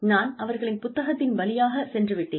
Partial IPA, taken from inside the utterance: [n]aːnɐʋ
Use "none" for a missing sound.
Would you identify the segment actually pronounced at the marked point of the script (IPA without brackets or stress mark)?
n